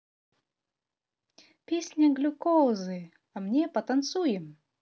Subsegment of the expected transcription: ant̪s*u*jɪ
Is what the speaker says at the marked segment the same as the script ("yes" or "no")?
yes